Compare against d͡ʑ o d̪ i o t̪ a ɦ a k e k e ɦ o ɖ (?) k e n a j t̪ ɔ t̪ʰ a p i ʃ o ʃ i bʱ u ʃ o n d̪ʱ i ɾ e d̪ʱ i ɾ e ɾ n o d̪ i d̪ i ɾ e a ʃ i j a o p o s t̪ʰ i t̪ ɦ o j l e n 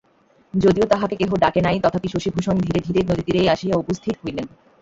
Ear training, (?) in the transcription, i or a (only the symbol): a